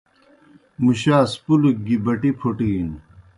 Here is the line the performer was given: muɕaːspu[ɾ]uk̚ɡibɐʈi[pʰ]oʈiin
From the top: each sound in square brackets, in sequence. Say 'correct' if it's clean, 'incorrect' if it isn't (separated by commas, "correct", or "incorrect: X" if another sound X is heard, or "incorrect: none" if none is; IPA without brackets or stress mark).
incorrect: l, correct